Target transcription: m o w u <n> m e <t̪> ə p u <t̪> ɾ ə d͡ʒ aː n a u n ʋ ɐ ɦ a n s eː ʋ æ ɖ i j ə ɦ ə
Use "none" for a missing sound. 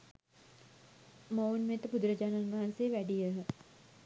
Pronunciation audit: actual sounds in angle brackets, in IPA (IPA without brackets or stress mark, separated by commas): n, t̪, d̪